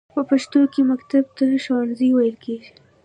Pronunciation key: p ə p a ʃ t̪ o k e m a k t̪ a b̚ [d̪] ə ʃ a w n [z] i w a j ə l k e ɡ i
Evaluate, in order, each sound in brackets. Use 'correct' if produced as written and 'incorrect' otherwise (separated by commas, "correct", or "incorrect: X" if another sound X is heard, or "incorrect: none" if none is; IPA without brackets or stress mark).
incorrect: t̪, correct